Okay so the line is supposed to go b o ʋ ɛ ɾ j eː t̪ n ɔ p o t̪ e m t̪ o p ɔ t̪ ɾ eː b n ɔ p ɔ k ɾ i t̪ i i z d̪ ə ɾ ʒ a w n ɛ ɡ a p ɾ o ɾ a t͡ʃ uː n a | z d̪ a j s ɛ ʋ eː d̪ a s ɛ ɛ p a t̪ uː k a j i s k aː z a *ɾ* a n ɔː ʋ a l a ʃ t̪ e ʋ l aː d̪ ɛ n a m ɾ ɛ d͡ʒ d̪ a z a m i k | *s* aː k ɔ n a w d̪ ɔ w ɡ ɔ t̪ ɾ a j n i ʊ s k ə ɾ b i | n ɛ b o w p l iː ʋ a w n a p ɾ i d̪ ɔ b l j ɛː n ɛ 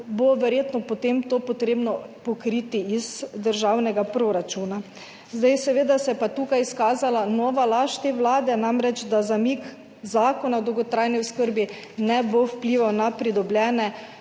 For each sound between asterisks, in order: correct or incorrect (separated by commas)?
incorrect, incorrect